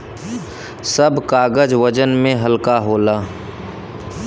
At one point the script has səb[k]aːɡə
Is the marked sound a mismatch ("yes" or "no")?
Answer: no